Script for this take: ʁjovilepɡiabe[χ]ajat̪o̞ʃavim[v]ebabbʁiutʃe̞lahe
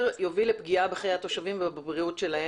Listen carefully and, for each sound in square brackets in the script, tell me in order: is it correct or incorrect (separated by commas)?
correct, correct